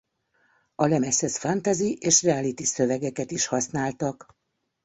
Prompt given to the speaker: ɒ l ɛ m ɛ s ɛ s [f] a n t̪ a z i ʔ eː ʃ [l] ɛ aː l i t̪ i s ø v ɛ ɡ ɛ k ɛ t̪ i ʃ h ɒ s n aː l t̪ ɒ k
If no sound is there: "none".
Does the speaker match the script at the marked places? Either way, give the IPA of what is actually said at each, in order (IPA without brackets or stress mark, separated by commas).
f, r